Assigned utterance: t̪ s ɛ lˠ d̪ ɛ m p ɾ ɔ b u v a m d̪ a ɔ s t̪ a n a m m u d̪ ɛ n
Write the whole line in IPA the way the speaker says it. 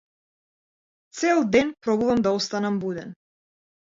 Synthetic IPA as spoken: t̪ s ɛ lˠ d̪ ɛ n p ɾ ɔ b u v a m d̪ a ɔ s t̪ a n a m b u d̪ ɛ n